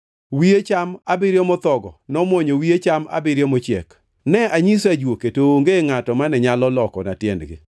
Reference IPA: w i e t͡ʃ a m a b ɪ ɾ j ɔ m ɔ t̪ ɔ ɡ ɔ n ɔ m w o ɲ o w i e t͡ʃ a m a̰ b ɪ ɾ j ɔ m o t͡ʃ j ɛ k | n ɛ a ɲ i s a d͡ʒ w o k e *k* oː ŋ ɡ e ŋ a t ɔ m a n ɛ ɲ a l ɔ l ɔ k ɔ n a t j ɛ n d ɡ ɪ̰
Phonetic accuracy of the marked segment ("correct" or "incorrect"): incorrect